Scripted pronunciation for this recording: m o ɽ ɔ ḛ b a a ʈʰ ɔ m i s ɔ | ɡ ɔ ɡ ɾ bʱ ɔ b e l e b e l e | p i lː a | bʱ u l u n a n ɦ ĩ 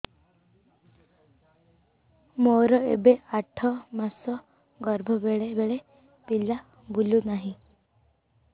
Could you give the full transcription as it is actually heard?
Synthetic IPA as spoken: m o ɾ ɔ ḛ b e a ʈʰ ɔ m a s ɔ | ɡ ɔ ɾ bʱ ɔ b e ɭ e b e ɭ e | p i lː a | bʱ u l u n a ɦ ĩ